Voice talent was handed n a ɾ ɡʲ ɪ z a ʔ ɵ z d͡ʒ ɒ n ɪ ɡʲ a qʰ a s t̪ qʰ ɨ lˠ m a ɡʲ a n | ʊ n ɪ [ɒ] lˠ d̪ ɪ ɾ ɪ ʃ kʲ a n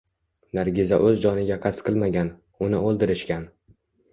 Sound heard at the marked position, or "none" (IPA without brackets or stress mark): o